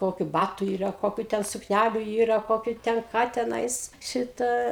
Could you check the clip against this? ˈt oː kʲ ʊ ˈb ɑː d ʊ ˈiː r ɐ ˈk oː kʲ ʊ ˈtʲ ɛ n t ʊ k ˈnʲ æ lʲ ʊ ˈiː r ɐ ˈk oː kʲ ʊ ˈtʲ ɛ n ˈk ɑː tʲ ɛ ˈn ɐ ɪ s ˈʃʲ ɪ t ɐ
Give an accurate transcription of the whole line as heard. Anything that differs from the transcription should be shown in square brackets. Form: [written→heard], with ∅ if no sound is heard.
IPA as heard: [ˈt→ˈk] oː kʲ ʊ ˈb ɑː [d→t] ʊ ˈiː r ɐ ˈk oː kʲ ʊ ˈtʲ ɛ n [t→s] ʊ k ˈnʲ æ lʲ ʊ ˈiː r ɐ ˈk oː kʲ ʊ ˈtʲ ɛ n ˈk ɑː tʲ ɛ ˈn ɐ ɪ s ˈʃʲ ɪ t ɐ